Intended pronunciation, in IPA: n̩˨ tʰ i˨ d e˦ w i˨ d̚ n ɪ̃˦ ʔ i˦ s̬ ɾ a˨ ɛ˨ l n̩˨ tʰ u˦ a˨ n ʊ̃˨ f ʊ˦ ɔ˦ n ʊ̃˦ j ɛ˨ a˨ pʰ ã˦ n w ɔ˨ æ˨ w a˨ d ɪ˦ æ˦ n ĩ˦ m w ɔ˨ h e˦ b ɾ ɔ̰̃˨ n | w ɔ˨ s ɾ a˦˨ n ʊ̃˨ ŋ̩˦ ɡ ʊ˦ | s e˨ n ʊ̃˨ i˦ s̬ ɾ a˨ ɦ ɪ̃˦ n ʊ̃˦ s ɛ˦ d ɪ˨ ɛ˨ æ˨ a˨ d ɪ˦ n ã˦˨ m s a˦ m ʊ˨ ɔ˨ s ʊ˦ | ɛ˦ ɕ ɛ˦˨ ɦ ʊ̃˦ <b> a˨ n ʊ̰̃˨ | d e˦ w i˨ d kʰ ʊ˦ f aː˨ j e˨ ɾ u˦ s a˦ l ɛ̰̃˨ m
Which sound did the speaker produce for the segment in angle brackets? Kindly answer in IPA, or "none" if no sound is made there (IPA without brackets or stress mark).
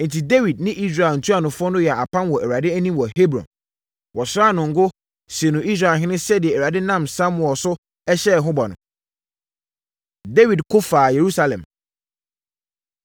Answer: b